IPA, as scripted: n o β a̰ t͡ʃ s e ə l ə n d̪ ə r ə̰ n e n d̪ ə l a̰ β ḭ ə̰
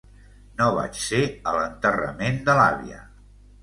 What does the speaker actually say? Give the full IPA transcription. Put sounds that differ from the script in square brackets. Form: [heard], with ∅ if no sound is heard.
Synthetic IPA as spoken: n o β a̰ t͡ʃ s e ə l ə n [t̪] ə r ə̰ [m] e n d̪ ə l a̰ β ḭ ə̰